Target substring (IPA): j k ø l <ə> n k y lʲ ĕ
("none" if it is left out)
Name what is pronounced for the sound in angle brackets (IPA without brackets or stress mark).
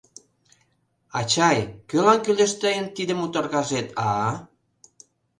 ɑ